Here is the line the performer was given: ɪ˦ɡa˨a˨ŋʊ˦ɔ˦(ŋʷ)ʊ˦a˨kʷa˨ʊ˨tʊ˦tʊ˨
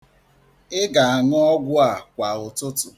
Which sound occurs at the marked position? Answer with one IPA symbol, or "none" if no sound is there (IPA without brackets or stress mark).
ɡʷ